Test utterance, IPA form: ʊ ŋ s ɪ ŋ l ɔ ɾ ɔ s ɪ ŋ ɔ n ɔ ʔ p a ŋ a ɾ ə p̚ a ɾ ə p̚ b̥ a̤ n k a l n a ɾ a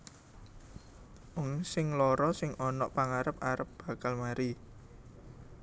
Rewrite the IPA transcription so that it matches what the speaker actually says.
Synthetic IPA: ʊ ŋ s ɪ ŋ l ɔ ɾ ɔ s ɪ ŋ ɔ n ɔ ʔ p a ŋ a ɾ ə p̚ a ɾ ə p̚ b̥ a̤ k a l m a ɾ i

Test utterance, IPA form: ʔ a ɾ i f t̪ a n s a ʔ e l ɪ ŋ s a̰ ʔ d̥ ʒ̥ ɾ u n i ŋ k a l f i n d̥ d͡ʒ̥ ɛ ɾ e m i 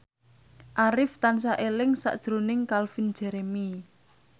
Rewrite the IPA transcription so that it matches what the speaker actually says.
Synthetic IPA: ʔ a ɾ ɪ f t̪ a n s a ʔ e l ɪ ŋ s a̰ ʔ d̥ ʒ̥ ɾ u n ɪ ŋ k a l f i n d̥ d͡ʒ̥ ɛ ɾ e m i

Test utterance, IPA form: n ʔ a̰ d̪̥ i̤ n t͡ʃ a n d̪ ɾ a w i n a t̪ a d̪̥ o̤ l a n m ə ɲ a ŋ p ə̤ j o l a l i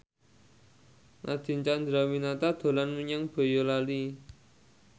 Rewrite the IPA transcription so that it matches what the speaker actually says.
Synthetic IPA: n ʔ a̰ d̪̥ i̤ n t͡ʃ a n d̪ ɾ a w i n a t̪ a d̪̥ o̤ l a n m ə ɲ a ŋ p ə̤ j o l a l i

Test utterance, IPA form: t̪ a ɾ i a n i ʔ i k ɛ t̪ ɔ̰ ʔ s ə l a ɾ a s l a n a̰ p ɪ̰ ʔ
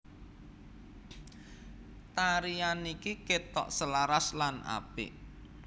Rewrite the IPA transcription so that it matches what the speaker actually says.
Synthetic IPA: t̪ a ɾ i a n i k i k e t̪ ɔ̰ ʔ s ə l a ɾ a s l a n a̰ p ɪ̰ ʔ

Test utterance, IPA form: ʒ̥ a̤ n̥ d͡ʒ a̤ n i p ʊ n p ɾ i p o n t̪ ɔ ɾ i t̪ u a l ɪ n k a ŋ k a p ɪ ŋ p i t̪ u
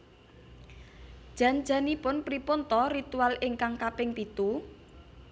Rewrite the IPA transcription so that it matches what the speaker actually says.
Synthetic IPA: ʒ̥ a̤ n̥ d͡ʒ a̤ n i p ʊ n p ɾ i p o n t̪ ɔ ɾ i t̪ u a l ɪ ŋ k a ŋ k a p ɪ ŋ p i t̪ u

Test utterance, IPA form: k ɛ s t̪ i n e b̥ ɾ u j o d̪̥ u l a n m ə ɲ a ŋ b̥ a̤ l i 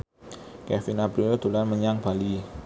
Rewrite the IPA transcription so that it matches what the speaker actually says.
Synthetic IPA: k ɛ s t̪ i n a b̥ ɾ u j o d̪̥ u l a n m ə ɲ a ŋ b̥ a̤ l i

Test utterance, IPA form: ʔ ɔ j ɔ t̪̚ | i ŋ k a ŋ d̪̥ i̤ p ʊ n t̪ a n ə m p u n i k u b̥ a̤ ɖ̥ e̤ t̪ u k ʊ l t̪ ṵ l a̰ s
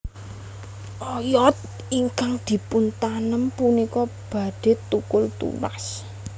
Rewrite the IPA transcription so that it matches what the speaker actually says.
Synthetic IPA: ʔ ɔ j ɔ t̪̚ | i ŋ k a ŋ d̪̥ i̤ p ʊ n t̪ a n ə m p u n i k ɔ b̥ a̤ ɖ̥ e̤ t̪ u k ʊ l t̪ ṵ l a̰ s

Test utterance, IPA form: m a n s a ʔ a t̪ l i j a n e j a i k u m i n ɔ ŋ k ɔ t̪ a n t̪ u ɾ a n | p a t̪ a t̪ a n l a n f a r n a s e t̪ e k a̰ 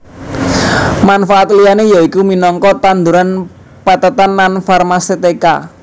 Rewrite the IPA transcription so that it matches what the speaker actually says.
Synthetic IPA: m a n f a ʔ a t̪ l i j a n e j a i k u m i n ɔ ŋ k ɔ t̪ a n d̪ u ɾ a n | p a t̪ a t̪ a n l a n f a r m a s e t̪ e k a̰

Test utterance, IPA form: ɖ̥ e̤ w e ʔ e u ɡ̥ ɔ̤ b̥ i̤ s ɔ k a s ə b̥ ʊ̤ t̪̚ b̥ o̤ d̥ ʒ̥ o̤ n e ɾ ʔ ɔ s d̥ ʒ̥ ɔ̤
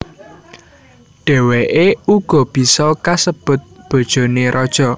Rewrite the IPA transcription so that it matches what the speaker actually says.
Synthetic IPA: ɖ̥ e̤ w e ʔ e u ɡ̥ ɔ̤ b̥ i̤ s ɔ k a s ə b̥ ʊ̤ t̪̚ b̥ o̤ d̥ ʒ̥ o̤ n e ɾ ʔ ɔ d̥ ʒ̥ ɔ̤

